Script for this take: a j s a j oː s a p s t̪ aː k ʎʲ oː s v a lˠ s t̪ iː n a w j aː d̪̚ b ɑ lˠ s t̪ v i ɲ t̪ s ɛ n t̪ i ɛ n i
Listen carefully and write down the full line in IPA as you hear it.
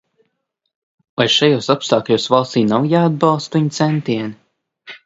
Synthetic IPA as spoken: a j ʃ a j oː s a p s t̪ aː k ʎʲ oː s v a lˠ s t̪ iː n a w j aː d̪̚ b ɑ lˠ s t̪ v i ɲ t̪ s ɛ n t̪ i ɛ n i